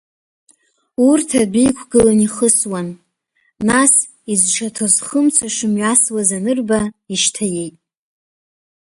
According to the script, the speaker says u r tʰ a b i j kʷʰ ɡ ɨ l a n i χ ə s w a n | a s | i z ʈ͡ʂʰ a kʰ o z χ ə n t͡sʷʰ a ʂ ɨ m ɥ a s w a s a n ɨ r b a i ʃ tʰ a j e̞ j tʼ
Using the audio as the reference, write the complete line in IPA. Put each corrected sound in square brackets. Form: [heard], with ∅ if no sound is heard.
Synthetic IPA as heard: u r tʰ a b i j kʷʰ ɡ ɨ l a n i χ ə s w a [nː] | a s | i z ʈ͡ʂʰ a [tʰ] o z χ ə [m] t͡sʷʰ a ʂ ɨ m ɥ a s w a [z] a n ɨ r b a i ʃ tʰ a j e̞ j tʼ